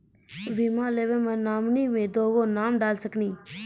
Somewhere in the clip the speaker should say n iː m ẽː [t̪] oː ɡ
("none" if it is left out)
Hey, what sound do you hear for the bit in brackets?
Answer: d̪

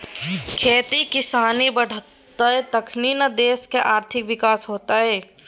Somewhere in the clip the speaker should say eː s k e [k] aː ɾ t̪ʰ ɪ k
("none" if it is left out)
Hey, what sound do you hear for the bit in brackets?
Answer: ʔ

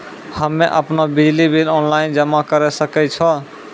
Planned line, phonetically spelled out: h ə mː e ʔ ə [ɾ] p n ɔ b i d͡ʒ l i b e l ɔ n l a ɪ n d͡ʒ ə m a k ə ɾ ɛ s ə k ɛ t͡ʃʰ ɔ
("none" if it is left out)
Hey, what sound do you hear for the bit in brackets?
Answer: none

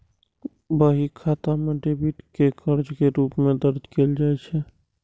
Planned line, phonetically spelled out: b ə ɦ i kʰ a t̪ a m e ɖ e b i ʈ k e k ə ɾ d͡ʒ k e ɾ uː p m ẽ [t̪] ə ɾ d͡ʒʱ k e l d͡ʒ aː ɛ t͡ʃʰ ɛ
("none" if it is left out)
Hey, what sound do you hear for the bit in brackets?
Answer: d̪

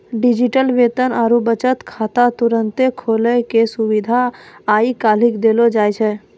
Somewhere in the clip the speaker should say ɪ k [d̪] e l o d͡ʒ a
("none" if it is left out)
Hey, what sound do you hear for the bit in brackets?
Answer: d̪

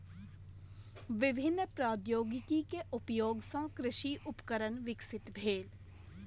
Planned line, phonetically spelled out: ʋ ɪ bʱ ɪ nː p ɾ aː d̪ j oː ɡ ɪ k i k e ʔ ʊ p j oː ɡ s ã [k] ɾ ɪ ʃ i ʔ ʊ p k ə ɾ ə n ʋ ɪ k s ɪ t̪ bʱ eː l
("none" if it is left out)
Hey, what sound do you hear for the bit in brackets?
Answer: k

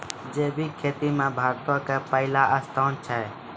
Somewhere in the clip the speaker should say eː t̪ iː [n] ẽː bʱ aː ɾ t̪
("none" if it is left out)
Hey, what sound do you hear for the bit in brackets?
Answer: m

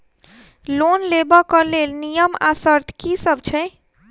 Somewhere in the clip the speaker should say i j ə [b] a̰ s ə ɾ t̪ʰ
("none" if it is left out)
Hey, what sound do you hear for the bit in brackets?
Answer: m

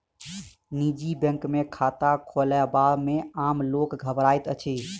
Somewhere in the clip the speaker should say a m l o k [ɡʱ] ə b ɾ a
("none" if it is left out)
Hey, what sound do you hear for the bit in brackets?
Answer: ɡʱ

